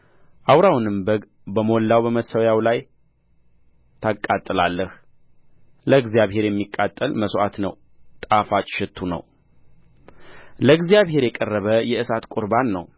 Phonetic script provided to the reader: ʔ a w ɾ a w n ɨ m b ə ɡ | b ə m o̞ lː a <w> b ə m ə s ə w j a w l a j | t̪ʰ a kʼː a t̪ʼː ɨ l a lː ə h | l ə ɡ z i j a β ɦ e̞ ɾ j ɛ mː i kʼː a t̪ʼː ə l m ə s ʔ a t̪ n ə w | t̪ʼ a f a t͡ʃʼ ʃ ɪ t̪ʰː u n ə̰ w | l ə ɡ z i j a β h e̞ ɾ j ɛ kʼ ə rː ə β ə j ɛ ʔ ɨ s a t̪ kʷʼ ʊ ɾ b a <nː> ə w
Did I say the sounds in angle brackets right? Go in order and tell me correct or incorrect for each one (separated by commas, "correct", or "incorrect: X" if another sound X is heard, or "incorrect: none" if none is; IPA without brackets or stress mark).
correct, correct